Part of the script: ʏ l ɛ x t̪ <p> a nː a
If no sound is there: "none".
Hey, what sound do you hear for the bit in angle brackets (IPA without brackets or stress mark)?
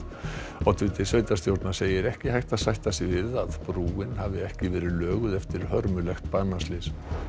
p